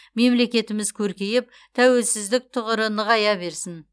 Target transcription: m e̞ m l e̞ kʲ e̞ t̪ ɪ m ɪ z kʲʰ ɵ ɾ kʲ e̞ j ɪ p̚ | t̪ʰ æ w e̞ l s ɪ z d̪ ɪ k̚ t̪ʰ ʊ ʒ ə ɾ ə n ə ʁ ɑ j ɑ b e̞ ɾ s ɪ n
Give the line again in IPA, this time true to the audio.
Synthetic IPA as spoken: m e̞ m l e̞ kʲ e̞ t̪ ɪ m ɪ z kʲʰ ɵ ɾ kʲ e̞ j ɪ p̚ | t̪ʰ æ w e̞ l s ɪ z d̪ ɪ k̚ t̪ʰ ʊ ʁ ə ɾ ə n ə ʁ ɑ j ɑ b e̞ ɾ s ɪ n